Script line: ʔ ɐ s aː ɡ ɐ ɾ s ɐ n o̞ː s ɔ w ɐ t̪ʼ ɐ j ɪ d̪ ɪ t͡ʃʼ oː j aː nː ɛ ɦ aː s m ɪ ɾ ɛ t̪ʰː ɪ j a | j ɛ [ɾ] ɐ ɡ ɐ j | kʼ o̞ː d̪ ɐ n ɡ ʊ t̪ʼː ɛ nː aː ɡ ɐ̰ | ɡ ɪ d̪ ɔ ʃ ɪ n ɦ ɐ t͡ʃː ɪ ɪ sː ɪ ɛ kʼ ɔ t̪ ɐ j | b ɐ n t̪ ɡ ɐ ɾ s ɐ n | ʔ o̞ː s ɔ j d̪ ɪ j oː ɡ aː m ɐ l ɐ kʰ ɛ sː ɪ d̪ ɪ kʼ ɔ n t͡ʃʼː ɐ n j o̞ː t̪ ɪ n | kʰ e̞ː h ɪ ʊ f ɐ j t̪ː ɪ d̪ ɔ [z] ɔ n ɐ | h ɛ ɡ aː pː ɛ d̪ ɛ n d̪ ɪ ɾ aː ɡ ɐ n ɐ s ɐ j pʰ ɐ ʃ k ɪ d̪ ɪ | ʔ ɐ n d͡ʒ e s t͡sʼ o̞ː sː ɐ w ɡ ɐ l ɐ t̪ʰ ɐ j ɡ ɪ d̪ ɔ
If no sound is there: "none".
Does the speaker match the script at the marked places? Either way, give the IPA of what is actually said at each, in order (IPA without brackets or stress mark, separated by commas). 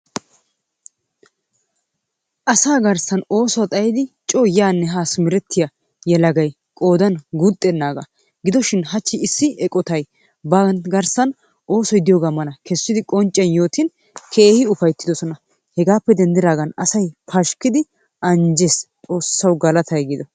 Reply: l, s